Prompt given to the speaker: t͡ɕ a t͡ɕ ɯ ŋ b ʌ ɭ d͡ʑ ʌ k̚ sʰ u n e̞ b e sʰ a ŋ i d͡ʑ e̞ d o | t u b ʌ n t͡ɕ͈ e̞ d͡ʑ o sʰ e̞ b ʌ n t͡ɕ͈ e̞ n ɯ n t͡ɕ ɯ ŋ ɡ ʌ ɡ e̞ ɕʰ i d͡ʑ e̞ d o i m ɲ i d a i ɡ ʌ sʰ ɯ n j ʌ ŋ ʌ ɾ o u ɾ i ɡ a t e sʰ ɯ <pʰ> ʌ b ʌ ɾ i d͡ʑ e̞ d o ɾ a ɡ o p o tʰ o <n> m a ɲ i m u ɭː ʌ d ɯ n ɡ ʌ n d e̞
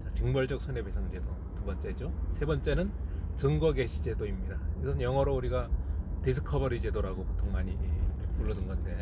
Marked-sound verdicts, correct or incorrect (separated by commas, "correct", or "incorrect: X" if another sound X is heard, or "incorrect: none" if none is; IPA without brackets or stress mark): incorrect: kʰ, incorrect: ŋ